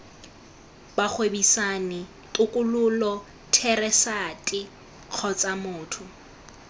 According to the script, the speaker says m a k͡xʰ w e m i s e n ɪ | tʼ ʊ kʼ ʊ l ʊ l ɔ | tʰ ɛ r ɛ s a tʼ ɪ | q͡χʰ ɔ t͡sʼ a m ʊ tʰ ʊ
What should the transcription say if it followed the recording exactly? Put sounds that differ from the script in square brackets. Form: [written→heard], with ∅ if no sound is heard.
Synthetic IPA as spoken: [m→b] a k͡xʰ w e [m→b] i s [e→a] n ɪ | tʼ ʊ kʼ ʊ l ʊ l ɔ | tʰ ɛ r ɛ s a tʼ ɪ | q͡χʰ ɔ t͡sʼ a m [ʊ→ʊː] tʰ ʊ